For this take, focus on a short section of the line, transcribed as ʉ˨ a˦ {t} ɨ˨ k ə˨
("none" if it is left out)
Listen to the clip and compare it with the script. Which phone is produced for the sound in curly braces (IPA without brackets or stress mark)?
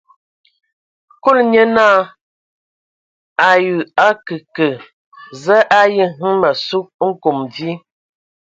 k